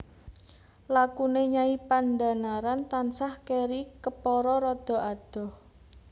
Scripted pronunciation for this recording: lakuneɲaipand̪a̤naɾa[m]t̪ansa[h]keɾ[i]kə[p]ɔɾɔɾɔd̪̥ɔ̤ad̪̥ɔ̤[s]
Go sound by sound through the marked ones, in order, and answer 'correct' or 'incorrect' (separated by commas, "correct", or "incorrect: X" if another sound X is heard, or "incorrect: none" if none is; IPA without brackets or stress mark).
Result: incorrect: n, correct, correct, correct, incorrect: h